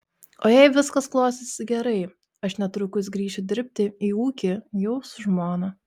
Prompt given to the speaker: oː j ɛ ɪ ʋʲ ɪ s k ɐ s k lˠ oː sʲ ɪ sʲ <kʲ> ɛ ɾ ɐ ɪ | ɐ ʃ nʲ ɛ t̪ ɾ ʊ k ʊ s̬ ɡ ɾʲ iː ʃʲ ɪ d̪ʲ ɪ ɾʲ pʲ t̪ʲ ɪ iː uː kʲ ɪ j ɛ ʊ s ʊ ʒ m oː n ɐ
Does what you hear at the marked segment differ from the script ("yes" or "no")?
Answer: yes